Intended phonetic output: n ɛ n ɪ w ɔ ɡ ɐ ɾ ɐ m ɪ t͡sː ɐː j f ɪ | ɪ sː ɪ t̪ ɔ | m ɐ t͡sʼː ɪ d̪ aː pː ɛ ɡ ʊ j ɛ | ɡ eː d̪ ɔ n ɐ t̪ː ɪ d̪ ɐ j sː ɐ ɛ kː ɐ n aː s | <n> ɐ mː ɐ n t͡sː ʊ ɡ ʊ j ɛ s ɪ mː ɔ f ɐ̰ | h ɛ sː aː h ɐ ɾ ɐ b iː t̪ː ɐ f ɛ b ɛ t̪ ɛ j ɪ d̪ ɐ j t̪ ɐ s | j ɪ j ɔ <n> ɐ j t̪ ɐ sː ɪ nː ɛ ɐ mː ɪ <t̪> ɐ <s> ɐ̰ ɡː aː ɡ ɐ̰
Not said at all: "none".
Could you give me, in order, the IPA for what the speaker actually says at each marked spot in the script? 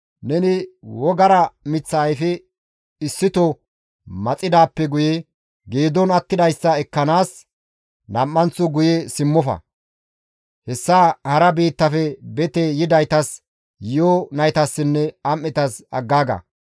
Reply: n, n, t̪, s

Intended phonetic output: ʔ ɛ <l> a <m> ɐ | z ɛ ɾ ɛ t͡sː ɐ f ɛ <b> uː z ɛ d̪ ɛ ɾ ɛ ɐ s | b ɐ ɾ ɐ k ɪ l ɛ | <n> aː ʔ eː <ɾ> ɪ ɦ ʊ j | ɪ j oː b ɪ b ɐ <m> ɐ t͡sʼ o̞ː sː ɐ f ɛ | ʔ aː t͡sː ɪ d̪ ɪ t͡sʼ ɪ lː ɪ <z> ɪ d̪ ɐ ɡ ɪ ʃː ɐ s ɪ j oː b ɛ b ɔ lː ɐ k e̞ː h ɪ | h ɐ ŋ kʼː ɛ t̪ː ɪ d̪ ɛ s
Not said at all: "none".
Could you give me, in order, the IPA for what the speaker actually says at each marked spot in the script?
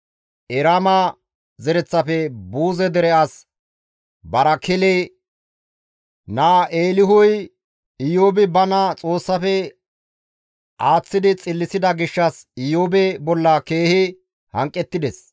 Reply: ɾ, m, b, n, l, n, s

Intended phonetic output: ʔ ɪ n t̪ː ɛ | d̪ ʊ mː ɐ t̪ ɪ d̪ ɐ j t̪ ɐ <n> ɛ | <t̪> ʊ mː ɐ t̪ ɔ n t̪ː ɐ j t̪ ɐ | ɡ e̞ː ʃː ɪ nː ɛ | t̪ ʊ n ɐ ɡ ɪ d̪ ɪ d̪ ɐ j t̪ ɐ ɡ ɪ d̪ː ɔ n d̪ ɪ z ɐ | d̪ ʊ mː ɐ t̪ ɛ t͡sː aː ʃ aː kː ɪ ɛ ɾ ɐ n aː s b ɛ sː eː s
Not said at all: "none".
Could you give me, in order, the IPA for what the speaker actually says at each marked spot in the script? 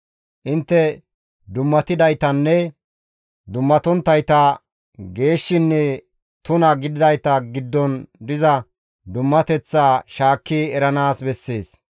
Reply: nː, d̪

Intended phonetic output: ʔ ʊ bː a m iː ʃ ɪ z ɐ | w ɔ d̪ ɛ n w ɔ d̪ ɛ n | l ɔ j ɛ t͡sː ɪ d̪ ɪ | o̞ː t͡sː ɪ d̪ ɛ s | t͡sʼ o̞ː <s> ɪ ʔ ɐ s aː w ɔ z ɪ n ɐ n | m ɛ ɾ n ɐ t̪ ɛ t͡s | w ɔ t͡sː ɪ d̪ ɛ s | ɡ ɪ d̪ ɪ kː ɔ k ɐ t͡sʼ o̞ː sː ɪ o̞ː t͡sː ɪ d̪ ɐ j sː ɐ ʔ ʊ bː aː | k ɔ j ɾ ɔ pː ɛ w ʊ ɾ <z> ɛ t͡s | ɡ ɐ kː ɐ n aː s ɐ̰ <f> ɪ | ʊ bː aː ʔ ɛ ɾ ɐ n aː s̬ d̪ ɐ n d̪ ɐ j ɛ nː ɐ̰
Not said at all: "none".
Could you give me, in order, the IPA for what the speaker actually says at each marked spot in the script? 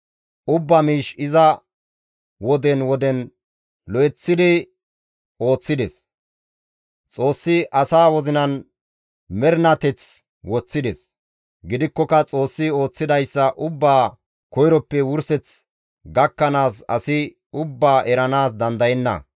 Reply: sː, s, s

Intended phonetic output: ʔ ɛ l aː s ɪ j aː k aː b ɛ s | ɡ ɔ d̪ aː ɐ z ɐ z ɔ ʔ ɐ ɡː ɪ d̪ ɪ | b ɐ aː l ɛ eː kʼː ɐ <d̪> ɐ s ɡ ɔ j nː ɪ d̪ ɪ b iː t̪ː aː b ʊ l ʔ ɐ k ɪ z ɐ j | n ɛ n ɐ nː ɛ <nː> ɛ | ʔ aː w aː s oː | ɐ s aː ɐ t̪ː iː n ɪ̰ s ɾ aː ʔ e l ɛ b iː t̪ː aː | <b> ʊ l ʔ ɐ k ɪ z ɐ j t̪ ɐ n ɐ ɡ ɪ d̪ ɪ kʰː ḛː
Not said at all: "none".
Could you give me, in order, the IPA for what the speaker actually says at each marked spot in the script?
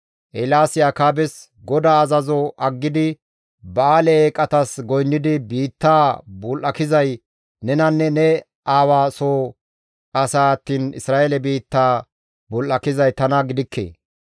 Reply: t̪, n, b

